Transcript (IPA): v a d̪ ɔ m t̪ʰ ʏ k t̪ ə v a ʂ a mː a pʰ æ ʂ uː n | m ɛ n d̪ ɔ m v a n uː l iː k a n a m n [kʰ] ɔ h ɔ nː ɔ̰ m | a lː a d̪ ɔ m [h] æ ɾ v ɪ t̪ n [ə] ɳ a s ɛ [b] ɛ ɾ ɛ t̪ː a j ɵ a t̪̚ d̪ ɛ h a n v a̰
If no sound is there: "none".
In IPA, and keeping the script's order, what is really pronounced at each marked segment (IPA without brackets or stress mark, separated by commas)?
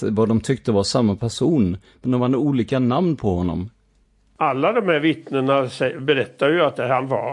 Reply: pʰ, h, ə, b